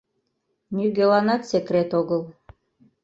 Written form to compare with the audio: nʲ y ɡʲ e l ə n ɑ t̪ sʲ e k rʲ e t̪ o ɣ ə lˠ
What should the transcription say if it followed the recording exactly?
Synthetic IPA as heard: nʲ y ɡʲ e l ɑ n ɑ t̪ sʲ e k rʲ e t̪ o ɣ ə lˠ

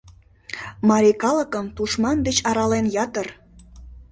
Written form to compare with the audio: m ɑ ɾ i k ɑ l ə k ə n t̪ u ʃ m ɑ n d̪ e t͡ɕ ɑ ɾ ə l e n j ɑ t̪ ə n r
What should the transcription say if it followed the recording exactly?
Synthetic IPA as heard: m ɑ ɾ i k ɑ l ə k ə m t̪ u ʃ m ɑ n d̪ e t͡ɕ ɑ ɾ ɑ l e n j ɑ t̪ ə r

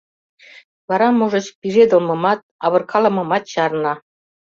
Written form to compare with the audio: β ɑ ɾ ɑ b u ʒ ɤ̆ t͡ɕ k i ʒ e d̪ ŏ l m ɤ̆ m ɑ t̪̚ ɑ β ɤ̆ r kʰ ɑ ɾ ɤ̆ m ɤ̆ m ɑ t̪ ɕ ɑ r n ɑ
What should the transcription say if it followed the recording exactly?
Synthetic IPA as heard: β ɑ ɾ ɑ m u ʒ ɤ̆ t͡ɕ p i ʒ e d̪ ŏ l m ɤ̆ m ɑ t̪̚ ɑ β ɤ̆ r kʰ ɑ l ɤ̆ m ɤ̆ m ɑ t̪ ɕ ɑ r n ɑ

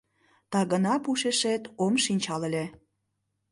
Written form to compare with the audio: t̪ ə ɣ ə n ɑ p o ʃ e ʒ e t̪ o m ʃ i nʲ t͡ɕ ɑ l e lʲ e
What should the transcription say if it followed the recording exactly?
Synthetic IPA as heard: t̪ ɑ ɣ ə n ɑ p u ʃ e ʃ e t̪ o m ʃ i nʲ t͡ɕ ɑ l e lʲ e

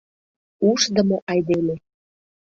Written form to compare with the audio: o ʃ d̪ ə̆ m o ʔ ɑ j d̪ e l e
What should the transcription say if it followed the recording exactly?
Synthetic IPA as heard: u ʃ d̪ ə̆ m o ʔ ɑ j d̪ e l e

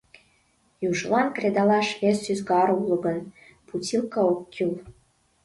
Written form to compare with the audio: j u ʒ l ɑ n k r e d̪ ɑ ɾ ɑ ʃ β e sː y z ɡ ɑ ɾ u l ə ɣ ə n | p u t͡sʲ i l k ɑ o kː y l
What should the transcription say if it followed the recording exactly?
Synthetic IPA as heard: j u ʒ l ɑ n k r e d̪ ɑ l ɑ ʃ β e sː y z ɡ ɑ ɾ u l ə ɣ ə n | p u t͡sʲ i l k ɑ o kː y l

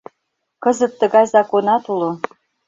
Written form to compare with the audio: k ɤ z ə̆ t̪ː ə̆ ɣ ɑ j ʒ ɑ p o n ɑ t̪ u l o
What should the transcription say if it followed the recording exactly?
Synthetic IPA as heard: k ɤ z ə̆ t̪ː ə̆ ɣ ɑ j z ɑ k o n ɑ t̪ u l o

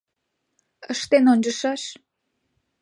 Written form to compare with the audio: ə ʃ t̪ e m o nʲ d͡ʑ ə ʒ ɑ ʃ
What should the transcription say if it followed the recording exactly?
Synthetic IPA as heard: ə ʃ t̪ e n o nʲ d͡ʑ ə ʃ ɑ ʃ

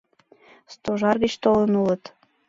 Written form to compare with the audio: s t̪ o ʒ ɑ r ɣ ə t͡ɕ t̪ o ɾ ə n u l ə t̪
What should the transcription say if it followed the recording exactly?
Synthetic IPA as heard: s t̪ o ʒ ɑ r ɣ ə t͡ɕ t̪ o l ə n u l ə t̪

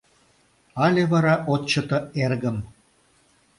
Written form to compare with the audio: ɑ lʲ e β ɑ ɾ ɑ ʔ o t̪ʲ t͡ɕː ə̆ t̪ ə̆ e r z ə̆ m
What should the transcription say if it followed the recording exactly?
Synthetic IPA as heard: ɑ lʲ e β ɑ ɾ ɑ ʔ o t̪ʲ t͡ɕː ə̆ t̪ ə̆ e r ɣ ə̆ m

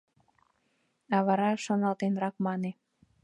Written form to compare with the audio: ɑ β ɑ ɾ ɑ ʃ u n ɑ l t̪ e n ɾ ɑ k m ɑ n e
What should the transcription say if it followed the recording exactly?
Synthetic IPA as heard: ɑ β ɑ ɾ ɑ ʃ o n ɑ l t̪ e n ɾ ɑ k m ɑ n e

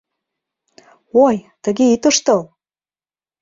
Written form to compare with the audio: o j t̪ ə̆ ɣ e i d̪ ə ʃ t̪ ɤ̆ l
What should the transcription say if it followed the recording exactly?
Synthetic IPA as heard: o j t̪ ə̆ ɣ e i t̪ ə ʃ t̪ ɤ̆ l

